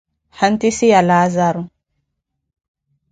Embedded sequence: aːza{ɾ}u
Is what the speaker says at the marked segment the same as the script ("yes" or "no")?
yes